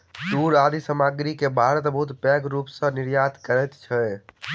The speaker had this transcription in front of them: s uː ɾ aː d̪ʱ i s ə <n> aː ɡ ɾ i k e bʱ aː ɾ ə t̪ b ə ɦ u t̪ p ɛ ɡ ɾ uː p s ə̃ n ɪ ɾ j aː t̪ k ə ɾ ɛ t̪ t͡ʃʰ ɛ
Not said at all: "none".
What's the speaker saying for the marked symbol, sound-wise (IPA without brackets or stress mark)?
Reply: m